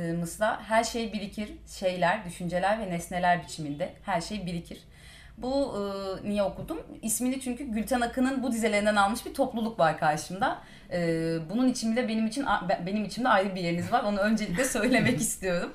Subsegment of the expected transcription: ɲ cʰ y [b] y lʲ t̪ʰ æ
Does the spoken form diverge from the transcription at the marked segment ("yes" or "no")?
yes